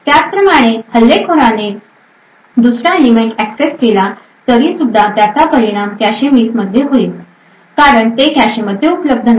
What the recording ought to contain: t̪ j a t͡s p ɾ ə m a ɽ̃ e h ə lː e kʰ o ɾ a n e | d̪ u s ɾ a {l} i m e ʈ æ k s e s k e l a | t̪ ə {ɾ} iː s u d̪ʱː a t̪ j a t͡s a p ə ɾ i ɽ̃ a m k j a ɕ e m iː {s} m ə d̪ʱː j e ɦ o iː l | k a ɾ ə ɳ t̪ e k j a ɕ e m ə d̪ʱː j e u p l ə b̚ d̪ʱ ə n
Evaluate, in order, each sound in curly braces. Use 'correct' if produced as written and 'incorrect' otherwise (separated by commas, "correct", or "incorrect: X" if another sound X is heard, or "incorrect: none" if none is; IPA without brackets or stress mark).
correct, correct, correct